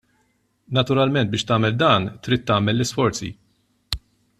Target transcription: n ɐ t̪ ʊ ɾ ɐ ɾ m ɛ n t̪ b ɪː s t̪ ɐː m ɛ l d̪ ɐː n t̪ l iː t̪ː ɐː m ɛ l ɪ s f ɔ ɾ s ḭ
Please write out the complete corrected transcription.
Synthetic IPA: n ɐ t̪ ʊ ɾ ɐ l m ɛ n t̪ b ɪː ʃ t̪ ɐː m ɛ l d̪ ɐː n t̪ ɾ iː t̪ː ɐː m ɛ lː ɪ s f ɔ ɾ t͡s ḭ